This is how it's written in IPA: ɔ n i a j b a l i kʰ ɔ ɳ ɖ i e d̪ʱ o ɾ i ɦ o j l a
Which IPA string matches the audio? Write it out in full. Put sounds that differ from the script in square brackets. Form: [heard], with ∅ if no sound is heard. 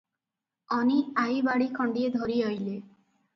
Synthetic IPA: ɔ n i a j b a [ɽ] i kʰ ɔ ɳ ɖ i e d̪ʱ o ɾ i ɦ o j l [e]